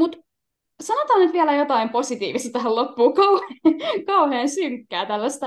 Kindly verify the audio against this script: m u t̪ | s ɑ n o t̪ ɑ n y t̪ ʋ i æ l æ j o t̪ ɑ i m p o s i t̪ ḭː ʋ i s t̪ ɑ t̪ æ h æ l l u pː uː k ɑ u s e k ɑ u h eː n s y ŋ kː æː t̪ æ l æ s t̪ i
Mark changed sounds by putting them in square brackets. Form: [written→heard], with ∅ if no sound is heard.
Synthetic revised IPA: m u t̪ | s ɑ n o t̪ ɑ n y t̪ ʋ i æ l æ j o t̪ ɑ i m p o s i t̪ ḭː ʋ i s t̪ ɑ t̪ æ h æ l l [u→o] pː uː k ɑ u [s→h] e k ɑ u h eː n s y ŋ kː æː t̪ æ [l→lː] æ s t̪ [i→æ]